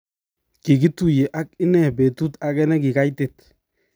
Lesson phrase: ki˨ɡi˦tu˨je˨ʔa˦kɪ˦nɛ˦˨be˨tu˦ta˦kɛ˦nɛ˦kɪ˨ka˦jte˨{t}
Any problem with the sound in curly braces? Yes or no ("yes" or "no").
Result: no